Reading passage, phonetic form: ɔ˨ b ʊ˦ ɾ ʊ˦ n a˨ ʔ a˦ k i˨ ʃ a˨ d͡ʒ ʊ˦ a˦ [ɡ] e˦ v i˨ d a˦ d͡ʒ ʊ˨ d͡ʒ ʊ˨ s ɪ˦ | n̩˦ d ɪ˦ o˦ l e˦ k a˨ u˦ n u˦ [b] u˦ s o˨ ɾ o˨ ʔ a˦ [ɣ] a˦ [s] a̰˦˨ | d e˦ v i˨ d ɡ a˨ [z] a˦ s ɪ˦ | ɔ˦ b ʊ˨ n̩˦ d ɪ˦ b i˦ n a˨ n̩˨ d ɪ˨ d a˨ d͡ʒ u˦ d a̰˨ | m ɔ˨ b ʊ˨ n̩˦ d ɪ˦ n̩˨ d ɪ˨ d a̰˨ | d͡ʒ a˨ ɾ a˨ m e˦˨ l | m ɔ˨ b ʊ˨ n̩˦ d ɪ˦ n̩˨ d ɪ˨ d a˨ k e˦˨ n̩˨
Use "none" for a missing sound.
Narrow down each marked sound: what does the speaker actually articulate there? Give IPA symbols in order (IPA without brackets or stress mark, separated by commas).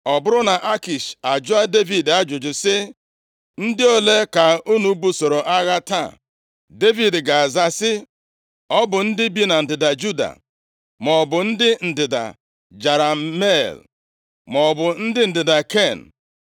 d, b, ɣ, t, z